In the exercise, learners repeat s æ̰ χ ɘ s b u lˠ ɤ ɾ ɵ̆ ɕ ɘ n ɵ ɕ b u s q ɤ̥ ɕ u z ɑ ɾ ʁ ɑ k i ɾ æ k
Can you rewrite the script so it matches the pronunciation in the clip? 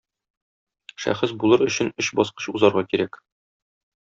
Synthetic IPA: ʃ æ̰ χ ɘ s b u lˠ ɤ ɾ ɵ̆ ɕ ɘ n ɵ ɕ b ɒ s q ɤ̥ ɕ u z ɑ ɾ ʁ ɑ k i ɾ æ k